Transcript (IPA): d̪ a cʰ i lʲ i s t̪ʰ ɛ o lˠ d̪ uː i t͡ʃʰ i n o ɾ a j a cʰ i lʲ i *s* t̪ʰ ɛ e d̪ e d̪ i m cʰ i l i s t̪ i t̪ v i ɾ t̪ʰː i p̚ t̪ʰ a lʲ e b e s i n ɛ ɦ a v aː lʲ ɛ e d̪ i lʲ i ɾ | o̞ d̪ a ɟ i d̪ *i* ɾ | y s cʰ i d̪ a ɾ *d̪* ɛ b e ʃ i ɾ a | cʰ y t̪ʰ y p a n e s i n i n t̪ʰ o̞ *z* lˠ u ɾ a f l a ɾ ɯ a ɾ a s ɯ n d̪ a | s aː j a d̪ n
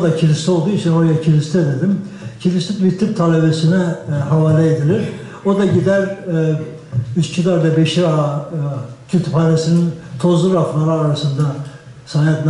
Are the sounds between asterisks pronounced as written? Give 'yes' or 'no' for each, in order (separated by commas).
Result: yes, no, yes, yes